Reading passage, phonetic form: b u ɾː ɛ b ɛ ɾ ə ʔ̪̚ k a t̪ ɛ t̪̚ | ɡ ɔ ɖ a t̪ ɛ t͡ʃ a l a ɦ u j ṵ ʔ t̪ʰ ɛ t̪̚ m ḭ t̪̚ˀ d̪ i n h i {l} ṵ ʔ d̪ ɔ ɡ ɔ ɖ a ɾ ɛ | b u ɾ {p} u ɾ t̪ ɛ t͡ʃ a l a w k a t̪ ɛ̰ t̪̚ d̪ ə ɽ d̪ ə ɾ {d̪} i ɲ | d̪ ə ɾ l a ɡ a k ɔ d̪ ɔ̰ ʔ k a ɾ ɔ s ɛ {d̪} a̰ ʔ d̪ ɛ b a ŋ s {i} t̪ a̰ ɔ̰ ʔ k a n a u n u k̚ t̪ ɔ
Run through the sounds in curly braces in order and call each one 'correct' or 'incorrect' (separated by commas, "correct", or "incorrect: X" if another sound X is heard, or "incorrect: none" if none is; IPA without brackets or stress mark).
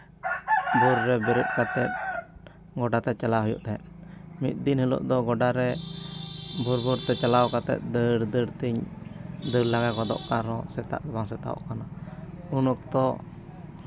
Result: correct, incorrect: b, incorrect: t̪, incorrect: t̪, incorrect: ɛ